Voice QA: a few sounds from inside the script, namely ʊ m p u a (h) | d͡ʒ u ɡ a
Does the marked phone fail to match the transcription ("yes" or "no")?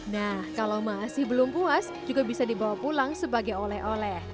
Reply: yes